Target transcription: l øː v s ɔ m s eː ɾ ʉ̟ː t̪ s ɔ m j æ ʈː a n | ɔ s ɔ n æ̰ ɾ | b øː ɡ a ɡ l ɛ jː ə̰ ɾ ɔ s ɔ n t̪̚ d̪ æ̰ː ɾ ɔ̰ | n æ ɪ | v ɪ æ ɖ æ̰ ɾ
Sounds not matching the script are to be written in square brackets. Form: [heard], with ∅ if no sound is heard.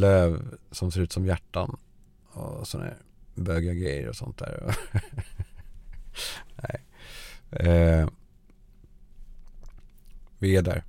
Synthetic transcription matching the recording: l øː v s ɔ m s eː ɾ ʉ̟ː t̪ s ɔ m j æ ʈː a n | ɔ s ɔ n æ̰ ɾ | b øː ɡ a ɡ [ɾ] ɛ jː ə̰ ɾ ɔ s ɔ n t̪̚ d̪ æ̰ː ɾ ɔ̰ | n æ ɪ | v ɪ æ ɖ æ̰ ɾ